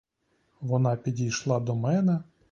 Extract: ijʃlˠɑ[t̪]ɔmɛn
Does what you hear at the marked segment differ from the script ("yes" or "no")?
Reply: yes